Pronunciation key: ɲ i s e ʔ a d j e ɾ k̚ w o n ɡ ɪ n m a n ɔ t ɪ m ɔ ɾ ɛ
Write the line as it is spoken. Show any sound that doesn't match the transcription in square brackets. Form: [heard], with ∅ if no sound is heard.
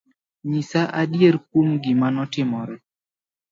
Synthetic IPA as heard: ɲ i s [a] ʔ a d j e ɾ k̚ w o [m] ɡ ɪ [∅] m a n ɔ t ɪ m ɔ ɾ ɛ